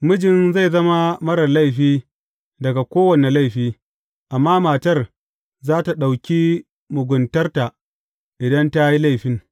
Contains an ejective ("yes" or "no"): no